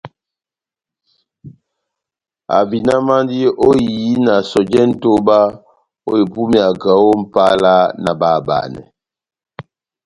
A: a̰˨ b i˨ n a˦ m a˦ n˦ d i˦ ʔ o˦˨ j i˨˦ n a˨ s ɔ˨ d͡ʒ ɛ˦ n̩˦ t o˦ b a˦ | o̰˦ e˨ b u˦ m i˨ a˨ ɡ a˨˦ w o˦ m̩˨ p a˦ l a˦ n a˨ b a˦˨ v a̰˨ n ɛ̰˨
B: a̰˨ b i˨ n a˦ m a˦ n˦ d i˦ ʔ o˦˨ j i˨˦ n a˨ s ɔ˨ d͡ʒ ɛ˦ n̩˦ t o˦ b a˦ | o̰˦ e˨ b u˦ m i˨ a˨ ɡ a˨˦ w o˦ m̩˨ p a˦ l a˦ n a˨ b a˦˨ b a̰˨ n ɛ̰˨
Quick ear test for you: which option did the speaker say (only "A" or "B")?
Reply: B